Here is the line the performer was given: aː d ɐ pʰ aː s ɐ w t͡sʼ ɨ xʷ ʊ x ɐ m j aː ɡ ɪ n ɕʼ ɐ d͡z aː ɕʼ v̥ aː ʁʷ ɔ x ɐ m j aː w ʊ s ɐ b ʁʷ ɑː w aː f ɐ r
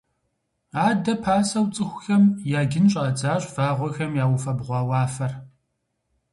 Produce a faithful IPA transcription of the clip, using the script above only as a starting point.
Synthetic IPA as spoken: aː d ɐ pʰ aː s ɐ w t͡sʼ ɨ xʷ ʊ x ɐ m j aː ɡ ɪ n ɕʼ ɐ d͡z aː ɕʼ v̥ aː ʁʷ ɔ x ɐ m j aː w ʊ f ɐ b ʁʷ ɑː w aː f ɐ r